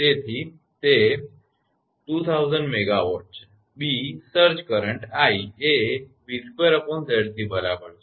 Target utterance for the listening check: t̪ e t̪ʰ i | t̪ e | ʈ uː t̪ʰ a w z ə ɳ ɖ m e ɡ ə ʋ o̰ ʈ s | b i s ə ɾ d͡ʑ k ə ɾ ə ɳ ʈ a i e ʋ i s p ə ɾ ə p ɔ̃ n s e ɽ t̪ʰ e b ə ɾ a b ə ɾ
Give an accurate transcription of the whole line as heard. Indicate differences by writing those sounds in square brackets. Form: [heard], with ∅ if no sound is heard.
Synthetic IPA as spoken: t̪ e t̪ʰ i | t̪ e | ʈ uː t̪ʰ a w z ə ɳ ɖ m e ɡ [a] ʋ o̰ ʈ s | b i s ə ɾ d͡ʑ k ə ɾ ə ɳ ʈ a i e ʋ i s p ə ɾ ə p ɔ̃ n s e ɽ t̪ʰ [i] b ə ɾ a b ə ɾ